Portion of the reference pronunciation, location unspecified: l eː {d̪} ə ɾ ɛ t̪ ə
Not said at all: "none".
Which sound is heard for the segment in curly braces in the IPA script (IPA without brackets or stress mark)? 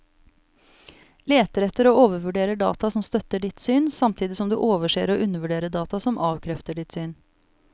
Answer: t̪